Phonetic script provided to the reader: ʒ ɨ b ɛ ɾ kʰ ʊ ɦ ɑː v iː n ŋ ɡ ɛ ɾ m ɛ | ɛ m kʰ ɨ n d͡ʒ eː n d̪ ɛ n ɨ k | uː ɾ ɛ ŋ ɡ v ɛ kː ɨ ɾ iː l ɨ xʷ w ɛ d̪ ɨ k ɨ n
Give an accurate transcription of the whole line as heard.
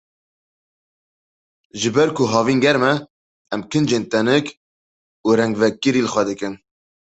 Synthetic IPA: ʒ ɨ b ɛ ɾ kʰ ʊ ɦ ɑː v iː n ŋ ɡ ɛ ɾ m ɛ | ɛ m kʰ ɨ n d͡ʒ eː n t̪ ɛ n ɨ k | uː ɾ ɛ ŋ ɡ v ɛ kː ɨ ɾ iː l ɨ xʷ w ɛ d̪ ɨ k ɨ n